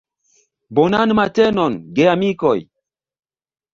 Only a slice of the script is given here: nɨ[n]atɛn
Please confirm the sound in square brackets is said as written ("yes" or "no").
no